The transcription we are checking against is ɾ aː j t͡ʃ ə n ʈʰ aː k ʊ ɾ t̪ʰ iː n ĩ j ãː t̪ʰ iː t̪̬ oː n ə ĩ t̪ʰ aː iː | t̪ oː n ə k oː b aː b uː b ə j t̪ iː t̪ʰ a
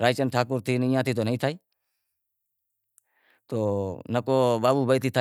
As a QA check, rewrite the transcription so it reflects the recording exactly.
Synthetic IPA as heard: ɾ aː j t͡ʃ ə n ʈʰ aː k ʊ ɾ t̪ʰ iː n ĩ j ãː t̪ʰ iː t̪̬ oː n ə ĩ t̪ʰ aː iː | t̪ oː n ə k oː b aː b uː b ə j t̪ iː t̪ʰ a